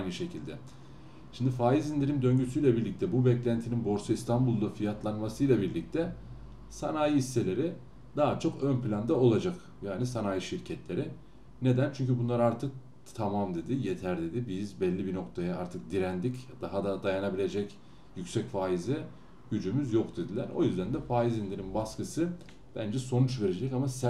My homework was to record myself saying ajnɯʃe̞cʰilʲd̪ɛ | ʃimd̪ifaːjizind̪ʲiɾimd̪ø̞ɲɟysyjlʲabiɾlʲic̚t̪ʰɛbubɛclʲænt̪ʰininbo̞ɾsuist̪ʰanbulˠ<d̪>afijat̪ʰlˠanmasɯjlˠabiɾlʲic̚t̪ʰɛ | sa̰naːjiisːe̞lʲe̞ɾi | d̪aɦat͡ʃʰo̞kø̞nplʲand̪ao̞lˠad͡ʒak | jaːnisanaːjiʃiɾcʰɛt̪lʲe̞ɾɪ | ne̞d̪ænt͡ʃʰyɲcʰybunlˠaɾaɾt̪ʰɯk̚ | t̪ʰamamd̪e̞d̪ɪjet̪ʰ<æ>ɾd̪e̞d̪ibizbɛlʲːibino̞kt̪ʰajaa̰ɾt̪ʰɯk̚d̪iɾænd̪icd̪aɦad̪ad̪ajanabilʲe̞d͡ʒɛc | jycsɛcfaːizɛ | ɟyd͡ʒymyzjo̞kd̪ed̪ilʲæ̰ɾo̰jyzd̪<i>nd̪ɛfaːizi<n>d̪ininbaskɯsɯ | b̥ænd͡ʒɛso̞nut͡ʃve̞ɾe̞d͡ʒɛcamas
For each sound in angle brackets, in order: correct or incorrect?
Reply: correct, correct, incorrect: æ, correct

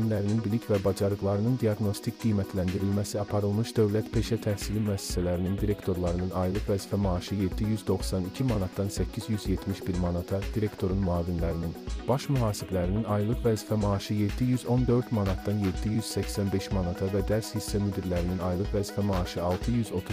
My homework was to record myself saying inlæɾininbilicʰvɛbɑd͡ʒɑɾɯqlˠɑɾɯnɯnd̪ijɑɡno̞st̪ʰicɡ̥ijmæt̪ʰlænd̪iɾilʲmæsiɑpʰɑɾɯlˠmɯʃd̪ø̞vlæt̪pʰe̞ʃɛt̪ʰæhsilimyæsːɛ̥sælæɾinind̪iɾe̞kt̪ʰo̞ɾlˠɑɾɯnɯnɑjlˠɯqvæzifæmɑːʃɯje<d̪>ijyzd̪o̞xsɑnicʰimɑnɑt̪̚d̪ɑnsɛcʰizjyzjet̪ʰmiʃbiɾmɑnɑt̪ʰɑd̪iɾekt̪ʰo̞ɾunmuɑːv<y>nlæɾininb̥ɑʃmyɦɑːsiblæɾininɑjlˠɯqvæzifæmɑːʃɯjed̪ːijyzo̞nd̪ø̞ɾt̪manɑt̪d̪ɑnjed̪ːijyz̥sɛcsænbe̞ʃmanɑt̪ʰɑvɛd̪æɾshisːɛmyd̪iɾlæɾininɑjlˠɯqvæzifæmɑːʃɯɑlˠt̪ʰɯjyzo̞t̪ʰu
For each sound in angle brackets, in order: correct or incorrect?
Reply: incorrect: d̪ː, incorrect: i

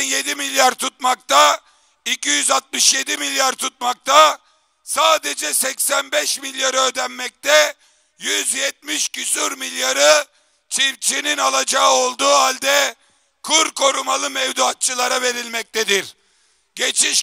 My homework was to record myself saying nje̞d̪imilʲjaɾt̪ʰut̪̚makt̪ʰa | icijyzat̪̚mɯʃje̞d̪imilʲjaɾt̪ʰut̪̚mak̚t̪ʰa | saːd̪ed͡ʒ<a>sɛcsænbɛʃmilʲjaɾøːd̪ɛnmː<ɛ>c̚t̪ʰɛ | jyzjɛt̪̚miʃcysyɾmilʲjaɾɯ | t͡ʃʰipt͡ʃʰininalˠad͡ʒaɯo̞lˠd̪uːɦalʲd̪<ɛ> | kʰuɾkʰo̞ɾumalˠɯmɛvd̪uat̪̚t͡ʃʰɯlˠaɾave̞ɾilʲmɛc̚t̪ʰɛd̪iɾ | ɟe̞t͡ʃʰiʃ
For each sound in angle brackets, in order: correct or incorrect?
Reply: incorrect: ɛ, correct, correct

